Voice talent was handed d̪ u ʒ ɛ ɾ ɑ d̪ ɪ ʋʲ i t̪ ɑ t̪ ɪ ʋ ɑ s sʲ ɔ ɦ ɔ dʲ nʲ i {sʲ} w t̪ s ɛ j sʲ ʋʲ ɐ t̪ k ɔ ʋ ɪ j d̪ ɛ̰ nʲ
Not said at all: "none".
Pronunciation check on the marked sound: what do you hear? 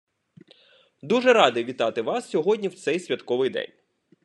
none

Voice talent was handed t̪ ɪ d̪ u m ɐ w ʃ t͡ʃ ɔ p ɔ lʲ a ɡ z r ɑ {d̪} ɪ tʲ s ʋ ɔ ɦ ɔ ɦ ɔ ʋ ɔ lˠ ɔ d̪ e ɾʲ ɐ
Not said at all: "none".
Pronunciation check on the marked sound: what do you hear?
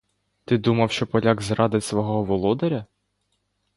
d̪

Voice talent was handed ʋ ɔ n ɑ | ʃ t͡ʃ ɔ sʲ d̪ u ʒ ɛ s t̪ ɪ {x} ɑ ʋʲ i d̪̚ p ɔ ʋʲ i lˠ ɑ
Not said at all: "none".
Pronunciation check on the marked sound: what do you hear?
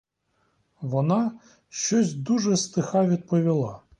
x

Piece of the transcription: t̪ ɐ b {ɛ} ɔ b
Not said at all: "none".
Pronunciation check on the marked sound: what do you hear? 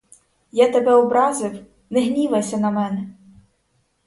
ɛ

